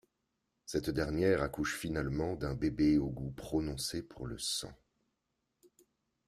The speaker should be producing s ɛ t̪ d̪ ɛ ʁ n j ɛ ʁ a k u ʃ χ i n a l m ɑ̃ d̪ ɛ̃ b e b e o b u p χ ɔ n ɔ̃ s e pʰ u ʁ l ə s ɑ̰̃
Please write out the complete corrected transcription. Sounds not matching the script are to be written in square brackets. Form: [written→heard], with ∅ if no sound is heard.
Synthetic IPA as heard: s ɛ t̪ d̪ ɛ ʁ n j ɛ ʁ a k u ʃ [χ→f] i n a l m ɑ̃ d̪ ɛ̃ b e b e o [b→ɡ] u p χ ɔ n ɔ̃ s e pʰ u ʁ l ə s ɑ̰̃